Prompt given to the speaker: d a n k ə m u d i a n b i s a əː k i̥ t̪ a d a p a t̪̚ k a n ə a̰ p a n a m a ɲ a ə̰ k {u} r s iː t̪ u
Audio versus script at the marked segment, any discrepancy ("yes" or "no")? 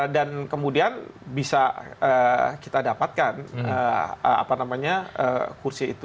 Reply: no